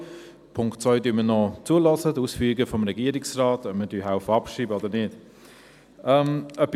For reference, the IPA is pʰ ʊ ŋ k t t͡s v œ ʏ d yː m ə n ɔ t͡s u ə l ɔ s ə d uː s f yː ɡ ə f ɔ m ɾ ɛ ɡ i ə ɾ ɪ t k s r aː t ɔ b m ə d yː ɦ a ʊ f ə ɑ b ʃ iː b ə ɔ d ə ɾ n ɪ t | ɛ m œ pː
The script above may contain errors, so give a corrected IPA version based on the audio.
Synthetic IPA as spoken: pʰ ʊ ŋ k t t͡s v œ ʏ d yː m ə n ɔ t͡s u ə l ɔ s ə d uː s f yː ɡ ə f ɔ m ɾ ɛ ɡ i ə ɾ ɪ k s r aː t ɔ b m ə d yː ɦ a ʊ f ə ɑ p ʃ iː b ə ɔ d ə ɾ n ɪ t | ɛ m œ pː